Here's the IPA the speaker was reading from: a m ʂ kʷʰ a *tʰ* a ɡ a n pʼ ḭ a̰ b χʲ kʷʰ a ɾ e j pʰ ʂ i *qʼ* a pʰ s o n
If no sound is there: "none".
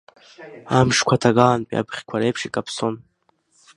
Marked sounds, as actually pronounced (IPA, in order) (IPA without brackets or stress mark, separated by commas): tʰ, kʼ